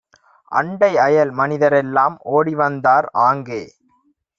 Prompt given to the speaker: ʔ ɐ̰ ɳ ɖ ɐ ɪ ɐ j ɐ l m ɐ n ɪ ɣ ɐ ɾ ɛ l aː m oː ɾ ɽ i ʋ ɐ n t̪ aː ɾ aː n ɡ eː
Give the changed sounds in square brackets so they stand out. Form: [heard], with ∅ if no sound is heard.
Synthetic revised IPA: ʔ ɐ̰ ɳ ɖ ɐ ɪ ɐ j ɐ l m ɐ n ɪ [ð] ɐ ɾ ɛ [lː] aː m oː [∅] ɽ i ʋ ɐ n [d̪] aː ɾ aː [ŋ] ɡ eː